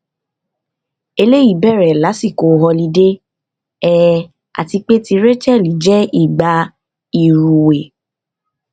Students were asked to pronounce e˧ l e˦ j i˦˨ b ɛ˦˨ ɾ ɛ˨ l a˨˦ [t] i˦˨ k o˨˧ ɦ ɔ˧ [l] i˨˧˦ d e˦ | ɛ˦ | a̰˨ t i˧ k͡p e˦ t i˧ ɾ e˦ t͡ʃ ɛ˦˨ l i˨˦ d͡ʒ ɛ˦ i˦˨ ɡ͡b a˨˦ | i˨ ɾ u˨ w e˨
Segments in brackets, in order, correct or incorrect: incorrect, correct

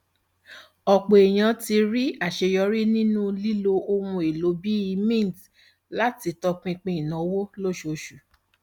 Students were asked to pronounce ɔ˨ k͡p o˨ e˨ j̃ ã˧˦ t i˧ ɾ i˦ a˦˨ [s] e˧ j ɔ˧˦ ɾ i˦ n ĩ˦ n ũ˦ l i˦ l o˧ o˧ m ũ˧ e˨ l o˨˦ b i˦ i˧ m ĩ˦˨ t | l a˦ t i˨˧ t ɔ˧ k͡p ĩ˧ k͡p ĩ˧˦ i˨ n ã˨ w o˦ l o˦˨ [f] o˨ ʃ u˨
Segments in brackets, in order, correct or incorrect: incorrect, incorrect

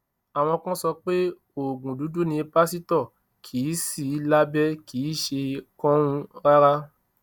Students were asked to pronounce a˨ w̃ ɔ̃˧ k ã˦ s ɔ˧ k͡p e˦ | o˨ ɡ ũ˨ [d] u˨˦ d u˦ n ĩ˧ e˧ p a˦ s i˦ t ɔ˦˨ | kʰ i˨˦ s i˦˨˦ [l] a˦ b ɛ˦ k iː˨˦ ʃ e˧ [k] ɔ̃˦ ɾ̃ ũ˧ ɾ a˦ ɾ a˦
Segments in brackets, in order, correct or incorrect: correct, correct, correct

